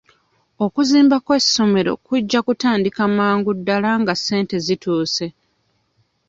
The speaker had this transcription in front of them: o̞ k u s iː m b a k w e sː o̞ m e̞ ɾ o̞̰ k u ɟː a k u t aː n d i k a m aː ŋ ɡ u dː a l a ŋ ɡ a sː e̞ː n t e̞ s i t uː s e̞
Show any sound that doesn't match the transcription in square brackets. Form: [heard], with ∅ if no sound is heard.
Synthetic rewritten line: o̞ k u [z] iː m b a k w e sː o̞ m e̞ ɾ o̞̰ k u ɟː a k u t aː n d i k a m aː ŋ ɡ u dː a l a ŋ ɡ a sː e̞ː n t e̞ [z] i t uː s e̞